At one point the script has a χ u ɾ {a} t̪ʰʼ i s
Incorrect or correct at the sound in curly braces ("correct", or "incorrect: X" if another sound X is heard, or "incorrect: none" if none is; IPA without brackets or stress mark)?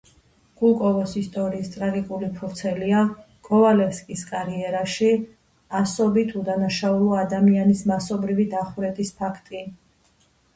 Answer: incorrect: ɛ